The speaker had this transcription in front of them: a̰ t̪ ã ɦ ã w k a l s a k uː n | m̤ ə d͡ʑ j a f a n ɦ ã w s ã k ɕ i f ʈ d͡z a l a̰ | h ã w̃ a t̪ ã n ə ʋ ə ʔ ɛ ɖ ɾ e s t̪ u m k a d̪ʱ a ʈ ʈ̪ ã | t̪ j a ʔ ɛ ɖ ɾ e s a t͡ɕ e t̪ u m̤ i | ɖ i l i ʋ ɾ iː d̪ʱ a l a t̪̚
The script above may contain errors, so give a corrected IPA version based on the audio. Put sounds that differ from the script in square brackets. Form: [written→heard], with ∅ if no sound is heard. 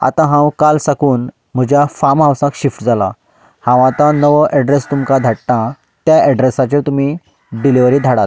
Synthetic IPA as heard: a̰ t̪ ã ɦ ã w k a l s a k uː n | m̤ ə d͡ʑ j a f a [n→m] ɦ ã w s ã k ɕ i f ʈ d͡z a l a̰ | h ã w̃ a t̪ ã n ə ʋ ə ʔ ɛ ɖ ɾ e s t̪ u m k a d̪ʱ a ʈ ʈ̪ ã | t̪ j a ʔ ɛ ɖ ɾ e s a t͡ɕ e t̪ u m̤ i | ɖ i l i ʋ ɾ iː d̪ʱ a [l→ɽ] a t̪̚